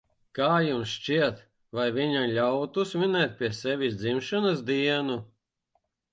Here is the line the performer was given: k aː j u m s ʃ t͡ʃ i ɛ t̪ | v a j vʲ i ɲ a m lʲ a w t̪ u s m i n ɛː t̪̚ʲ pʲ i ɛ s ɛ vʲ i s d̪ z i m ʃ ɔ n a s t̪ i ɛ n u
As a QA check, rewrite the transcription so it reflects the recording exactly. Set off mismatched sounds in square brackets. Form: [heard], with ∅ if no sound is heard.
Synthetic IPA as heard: k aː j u m s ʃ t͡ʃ i ɛ t̪ | v a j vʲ i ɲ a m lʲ a w t̪ u s m i n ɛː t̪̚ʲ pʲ i ɛ s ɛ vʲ i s d̪ z i m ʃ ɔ n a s [d̪] i ɛ n u

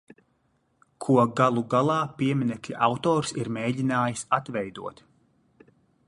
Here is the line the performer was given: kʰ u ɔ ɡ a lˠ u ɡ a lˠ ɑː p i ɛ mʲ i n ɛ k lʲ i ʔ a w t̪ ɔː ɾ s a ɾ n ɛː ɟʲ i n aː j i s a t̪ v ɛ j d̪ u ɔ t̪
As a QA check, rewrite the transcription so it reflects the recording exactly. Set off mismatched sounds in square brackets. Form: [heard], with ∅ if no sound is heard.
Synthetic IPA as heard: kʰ u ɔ ɡ a lˠ u ɡ a lˠ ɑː p i ɛ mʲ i n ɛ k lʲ i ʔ a w t̪ ɔː ɾ s [i] ɾ [m] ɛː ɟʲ i n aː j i s a t̪ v ɛ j d̪ u ɔ t̪

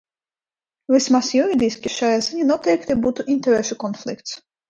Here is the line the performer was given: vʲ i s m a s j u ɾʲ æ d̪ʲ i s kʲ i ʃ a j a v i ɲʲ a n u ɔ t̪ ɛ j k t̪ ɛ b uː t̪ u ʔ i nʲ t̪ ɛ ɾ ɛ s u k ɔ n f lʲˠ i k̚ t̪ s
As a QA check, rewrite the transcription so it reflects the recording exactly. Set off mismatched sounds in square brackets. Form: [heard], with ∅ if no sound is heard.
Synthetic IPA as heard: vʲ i s m a s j u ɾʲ [i] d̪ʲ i s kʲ i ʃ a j a [z] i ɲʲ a n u ɔ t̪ ɛ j k t̪ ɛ b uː t̪ u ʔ i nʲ t̪ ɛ ɾ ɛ [ʃ] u k ɔ n f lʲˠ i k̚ t̪ s

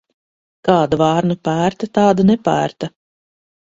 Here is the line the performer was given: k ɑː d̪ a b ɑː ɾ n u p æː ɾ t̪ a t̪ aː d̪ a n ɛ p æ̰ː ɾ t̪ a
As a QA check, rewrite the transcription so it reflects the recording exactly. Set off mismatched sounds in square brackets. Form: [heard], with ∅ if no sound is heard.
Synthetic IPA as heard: k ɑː d̪ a [v] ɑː ɾ n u p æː ɾ t̪ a t̪ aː d̪ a n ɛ p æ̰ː ɾ t̪ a

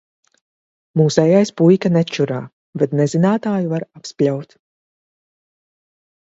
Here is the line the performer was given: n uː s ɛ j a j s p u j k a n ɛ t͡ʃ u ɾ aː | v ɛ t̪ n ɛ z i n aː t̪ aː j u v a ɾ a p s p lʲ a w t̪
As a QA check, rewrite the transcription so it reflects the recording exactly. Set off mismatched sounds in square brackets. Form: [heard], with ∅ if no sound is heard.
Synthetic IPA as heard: [m] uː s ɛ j a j s p u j k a n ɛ t͡ʃ u ɾ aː | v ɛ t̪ n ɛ z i n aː t̪ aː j u v a ɾ a p s p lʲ a w t̪

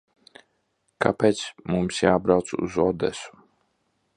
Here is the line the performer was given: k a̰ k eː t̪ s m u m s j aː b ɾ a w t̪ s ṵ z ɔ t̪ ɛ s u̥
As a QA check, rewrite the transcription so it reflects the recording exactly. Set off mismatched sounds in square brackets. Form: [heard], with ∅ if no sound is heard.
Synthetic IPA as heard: k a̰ [p] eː t̪ s m u m s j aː b ɾ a w t̪ s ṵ z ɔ [d̪] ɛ s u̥

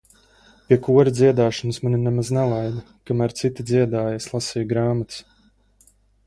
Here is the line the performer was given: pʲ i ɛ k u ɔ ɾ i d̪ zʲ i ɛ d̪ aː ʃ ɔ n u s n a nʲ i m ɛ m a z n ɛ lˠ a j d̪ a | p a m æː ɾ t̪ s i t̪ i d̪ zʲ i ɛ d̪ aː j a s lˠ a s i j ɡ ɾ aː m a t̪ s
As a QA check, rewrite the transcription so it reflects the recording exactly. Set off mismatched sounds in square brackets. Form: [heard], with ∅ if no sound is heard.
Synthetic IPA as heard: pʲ i ɛ k u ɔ ɾ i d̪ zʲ i ɛ d̪ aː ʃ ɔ n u s [m] a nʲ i [n] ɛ m a z n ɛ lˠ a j d̪ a | [k] a m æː ɾ t̪ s i t̪ i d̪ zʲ i ɛ d̪ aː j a s lˠ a s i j ɡ ɾ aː m a t̪ s

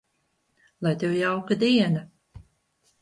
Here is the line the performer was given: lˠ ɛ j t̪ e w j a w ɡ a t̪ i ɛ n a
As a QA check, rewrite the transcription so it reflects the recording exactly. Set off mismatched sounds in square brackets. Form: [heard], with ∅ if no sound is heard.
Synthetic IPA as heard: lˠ [a] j t̪ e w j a w [k] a [d̪] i ɛ n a

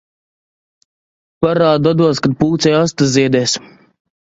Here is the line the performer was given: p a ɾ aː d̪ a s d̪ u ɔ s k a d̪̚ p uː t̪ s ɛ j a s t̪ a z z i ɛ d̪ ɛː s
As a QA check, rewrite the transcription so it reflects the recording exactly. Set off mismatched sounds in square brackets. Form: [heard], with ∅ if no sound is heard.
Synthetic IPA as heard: p a ɾ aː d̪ a [∅] d̪ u ɔ s k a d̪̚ p uː t̪ s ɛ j a s t̪ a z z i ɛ d̪ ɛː s

